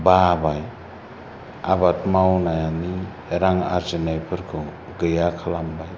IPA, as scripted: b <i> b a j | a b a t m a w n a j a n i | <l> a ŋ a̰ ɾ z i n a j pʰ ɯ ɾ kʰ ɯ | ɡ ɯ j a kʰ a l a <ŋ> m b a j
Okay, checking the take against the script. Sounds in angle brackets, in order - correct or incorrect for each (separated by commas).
incorrect, incorrect, incorrect